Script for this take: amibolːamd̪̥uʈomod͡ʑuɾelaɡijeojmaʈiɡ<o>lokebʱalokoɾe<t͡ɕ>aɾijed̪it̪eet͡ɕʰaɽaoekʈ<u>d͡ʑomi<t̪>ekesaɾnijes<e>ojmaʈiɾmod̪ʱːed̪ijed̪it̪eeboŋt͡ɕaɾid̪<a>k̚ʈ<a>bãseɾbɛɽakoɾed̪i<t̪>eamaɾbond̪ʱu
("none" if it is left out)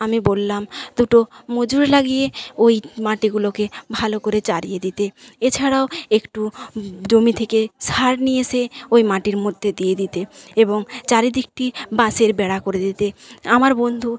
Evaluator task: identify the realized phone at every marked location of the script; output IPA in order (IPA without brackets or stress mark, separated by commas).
u, t͡ɕ, u, t̪ʰ, e, i, i, t̪